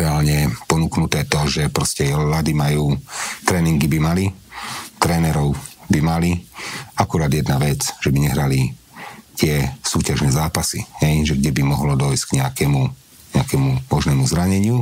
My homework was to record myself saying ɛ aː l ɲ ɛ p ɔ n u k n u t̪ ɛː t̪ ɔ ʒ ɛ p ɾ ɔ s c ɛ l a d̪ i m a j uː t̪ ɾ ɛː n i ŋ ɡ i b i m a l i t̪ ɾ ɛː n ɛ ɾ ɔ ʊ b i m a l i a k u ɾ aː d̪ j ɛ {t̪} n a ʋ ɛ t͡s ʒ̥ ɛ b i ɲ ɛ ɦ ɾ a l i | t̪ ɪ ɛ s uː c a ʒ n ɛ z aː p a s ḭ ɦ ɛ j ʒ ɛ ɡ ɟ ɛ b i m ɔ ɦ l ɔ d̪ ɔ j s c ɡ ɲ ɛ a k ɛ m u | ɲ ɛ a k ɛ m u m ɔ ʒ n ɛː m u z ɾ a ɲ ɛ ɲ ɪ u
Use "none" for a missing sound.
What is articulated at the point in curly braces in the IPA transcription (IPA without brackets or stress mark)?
d̪